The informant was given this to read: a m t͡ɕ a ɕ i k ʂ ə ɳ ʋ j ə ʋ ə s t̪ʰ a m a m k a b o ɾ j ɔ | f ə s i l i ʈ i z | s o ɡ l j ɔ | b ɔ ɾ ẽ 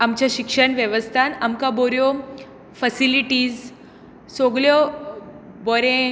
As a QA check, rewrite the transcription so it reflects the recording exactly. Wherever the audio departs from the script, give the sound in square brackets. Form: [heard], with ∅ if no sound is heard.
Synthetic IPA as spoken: a m t͡ɕ a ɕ i k ʂ ə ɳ ʋ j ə ʋ ə s t̪ʰ a [n] a m k a b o ɾ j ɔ | f ə s i l i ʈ i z | s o ɡ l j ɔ | b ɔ ɾ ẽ